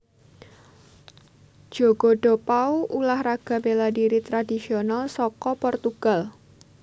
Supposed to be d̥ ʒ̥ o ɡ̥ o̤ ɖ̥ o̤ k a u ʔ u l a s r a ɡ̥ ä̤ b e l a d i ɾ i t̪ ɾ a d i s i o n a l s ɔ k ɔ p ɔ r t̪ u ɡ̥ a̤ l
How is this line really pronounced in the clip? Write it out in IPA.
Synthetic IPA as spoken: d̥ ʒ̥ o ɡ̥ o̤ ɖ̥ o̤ p a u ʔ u l a h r a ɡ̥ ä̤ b e l a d i ɾ i t̪ ɾ a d i s i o n a l s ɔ k ɔ p ɔ r t̪ u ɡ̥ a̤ l